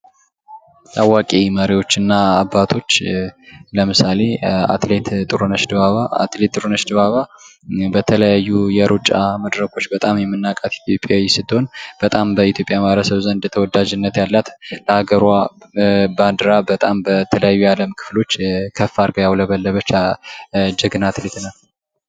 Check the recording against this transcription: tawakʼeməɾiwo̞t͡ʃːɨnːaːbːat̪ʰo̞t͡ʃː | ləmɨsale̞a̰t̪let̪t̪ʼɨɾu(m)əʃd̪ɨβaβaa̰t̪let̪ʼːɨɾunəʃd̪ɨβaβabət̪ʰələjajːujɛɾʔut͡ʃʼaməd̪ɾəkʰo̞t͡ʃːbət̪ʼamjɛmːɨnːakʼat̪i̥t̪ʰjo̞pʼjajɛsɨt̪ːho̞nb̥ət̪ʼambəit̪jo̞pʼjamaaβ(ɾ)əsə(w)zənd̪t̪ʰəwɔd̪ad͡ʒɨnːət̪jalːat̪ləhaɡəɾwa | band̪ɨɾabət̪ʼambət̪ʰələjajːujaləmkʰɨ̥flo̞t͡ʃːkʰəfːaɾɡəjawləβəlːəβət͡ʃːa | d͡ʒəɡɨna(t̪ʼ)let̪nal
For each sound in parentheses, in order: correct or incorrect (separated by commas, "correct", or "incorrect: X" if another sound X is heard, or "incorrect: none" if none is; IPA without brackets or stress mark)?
incorrect: n, correct, incorrect: β, incorrect: t̪